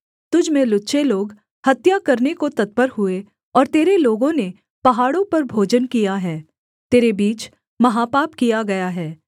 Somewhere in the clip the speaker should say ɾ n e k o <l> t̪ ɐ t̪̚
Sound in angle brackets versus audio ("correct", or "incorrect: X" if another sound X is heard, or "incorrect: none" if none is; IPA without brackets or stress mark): incorrect: none